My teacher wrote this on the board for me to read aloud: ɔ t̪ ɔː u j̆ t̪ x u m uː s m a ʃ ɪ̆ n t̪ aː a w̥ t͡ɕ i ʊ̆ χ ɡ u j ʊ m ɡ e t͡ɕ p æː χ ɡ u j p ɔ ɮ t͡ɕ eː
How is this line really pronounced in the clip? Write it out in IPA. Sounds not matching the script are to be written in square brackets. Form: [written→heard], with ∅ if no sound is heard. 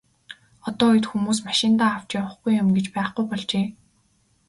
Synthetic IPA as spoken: ɔ t̪ ɔː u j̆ t̪ x u m uː s m a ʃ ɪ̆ n t̪ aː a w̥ t͡ɕ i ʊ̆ χ ɡ u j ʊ m ɡ e t͡ɕ p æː χ ɡ u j p ɔ ɮ t͡ɕ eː